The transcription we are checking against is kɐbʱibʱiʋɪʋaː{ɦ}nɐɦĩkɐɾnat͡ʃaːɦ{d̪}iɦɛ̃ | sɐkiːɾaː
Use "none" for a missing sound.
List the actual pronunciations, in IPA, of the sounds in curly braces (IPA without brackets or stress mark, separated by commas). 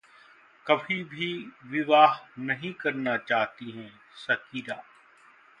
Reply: ɦ, t̪